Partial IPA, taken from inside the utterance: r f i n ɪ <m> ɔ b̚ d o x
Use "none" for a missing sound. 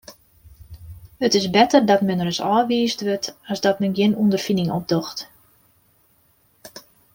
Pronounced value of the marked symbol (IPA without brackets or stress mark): ŋ